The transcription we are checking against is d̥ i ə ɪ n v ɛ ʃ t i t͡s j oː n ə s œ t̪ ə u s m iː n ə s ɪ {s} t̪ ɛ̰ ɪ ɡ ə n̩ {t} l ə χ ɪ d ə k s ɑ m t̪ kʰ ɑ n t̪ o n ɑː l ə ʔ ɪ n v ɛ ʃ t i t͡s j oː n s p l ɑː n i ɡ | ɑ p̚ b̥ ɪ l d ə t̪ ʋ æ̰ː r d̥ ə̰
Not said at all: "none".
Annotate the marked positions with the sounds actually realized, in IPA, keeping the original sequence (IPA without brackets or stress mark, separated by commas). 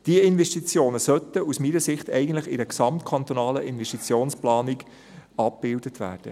χ, t